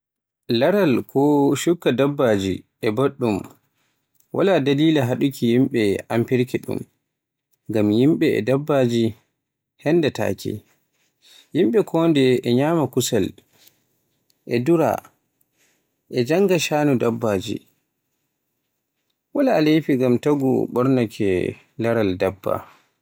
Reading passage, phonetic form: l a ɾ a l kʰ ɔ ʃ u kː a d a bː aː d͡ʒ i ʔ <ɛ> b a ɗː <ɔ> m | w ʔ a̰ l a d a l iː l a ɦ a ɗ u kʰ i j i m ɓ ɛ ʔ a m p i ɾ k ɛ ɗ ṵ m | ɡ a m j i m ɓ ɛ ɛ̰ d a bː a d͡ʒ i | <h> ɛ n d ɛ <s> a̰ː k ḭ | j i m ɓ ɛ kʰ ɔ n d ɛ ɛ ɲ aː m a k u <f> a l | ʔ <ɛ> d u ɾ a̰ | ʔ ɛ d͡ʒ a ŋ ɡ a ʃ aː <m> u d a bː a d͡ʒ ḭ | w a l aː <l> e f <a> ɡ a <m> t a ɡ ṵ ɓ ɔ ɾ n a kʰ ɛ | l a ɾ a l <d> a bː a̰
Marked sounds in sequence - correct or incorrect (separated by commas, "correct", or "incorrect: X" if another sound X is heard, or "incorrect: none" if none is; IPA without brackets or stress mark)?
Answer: correct, incorrect: u, correct, incorrect: t, incorrect: s, correct, incorrect: n, correct, incorrect: i, correct, correct